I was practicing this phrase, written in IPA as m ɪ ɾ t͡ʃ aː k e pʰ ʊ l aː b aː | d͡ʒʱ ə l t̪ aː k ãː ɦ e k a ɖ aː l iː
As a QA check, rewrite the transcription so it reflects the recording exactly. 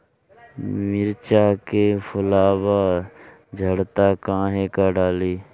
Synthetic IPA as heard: m ɪ ɾ t͡ʃ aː k e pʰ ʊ l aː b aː | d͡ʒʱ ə ɽ t̪ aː k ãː ɦ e k a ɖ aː l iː